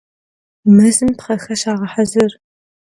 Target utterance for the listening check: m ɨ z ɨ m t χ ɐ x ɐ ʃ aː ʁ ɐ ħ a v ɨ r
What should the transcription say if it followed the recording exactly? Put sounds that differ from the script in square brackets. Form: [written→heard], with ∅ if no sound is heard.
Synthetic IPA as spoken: m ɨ z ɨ m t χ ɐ x ɐ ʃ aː ʁ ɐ ħ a [v→z] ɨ r